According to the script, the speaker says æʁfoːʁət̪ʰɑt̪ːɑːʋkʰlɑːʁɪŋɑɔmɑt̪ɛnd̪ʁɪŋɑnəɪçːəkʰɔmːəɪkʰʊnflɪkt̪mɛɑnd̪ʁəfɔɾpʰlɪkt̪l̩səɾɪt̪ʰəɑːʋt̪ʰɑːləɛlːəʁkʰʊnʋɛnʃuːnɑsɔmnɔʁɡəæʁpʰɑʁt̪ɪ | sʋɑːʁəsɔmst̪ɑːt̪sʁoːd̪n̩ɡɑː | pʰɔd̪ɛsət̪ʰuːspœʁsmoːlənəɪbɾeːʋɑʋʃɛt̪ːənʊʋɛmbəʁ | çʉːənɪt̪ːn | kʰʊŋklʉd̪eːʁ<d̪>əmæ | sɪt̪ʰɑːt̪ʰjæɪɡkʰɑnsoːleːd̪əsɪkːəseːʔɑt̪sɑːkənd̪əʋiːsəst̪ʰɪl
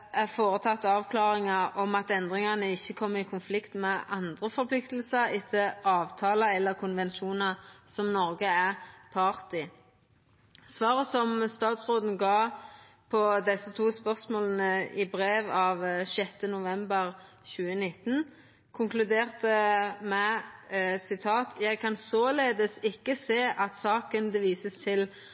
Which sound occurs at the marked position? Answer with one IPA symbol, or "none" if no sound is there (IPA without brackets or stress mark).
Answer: t̪